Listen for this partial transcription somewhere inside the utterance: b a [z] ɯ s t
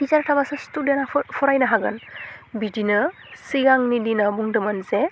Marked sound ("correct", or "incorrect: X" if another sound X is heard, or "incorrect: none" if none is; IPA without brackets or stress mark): incorrect: s